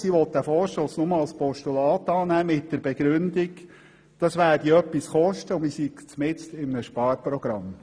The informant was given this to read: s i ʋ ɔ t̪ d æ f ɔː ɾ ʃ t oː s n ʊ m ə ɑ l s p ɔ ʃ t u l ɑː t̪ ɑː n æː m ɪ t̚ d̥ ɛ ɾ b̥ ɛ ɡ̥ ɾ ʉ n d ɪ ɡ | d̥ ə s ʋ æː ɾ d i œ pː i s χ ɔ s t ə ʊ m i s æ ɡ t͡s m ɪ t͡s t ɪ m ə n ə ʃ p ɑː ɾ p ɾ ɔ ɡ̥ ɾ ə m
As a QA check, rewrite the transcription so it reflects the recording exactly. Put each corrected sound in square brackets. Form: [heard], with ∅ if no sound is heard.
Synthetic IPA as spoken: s i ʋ ɔ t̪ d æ f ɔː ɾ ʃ t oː s n ʊ m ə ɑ l s p ɔ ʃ t u l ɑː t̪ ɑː n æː m ɪ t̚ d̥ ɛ ɾ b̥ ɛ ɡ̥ ɾ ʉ n d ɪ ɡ | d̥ [ɑ] s ʋ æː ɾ d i œ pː i s χ ɔ [ʃ] t ə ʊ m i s [i] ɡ t͡s m ɪ t͡s t ɪ m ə n ə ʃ p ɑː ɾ p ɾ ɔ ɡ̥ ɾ [ɑ] m